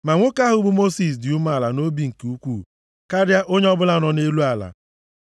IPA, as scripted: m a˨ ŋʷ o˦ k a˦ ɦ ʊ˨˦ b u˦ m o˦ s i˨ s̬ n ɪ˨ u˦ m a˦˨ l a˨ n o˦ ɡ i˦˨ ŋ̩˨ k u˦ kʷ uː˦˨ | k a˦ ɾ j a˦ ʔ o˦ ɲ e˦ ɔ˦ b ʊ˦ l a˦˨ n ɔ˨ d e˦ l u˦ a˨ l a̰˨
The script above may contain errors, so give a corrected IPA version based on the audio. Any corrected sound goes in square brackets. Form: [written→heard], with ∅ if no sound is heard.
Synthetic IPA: m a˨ ŋʷ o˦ k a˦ ɦ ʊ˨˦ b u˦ m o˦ s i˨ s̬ [n→d] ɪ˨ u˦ m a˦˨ l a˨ n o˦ [ɡ→b] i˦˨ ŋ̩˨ k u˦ kʷ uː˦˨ | k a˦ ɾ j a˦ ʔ o˦ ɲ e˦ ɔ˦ b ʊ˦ l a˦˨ n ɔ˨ [d→n] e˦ l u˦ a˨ l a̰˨